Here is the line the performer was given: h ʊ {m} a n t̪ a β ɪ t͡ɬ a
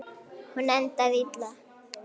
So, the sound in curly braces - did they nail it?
no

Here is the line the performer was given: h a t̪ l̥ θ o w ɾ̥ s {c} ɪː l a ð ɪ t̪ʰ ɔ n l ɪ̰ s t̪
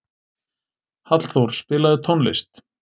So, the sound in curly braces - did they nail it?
no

